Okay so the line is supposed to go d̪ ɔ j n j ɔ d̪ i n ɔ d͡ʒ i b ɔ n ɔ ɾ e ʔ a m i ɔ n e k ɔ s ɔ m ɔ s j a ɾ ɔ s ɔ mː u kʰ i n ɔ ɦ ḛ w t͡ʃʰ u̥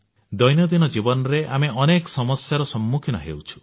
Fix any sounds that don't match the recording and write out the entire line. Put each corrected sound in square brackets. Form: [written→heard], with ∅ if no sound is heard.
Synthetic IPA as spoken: d̪ ɔ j n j ɔ d̪ i n ɔ d͡ʒ i b ɔ n ɔ ɾ e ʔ a m [i→e] ɔ n e k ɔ s ɔ m ɔ s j a ɾ ɔ s ɔ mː u kʰ i n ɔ ɦ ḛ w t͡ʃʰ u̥